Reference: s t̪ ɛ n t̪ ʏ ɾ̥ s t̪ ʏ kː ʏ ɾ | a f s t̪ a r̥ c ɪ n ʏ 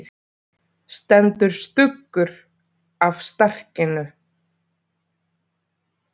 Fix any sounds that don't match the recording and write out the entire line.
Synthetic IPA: s t̪ ɛ n t̪ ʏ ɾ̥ s t̪ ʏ kː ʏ ɾ | a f s t̪ a r̥ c ɪ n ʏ